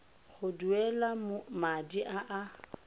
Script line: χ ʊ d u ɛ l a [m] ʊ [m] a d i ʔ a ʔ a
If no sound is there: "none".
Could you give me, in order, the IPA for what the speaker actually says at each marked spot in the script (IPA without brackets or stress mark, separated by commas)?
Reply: m, m